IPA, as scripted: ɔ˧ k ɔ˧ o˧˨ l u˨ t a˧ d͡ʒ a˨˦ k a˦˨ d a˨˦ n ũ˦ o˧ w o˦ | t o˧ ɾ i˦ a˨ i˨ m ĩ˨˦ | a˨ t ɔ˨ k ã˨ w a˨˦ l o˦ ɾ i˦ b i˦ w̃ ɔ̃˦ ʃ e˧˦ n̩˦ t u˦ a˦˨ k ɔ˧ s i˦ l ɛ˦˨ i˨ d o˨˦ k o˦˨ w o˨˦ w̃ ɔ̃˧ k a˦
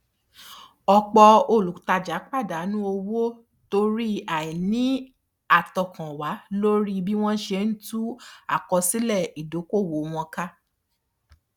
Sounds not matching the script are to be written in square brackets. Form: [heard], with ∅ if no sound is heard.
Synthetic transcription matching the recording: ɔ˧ [k͡p] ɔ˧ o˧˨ l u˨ t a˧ d͡ʒ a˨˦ [k͡p] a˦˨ d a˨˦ n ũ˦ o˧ w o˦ | t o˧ ɾ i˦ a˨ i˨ [n] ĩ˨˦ | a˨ t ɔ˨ k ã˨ w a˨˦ l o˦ ɾ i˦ b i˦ w̃ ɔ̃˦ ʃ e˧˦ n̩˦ t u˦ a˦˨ k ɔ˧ s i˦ l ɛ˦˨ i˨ d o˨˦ k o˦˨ w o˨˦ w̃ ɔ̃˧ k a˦